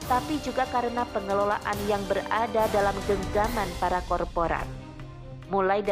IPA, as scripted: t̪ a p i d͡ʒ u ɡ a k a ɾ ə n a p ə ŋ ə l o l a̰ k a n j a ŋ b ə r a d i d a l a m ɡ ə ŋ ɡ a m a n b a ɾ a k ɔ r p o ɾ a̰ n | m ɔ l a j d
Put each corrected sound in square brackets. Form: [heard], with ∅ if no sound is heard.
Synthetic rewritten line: t̪ a p i d͡ʒ u ɡ a k a ɾ ə n a p ə ŋ ə l o l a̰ [ʔ] a n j a ŋ b ə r a d [a] d a l a m ɡ ə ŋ ɡ a m a n [p] a ɾ a k ɔ r p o ɾ a̰ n | m [u] l a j d